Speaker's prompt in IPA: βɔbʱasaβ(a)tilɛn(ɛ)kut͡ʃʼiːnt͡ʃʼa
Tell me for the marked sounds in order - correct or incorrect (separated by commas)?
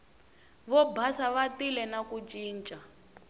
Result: correct, incorrect